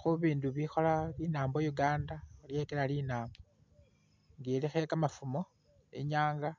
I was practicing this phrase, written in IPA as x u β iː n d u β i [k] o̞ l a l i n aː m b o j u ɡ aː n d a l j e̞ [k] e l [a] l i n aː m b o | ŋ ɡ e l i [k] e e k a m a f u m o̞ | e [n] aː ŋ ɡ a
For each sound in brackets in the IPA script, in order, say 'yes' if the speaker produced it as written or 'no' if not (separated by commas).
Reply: no, yes, yes, no, no